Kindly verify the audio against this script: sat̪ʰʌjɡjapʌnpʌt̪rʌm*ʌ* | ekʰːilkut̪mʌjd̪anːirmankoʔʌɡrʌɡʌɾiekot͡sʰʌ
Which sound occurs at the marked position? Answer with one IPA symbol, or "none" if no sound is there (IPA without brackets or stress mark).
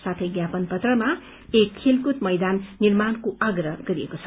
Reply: a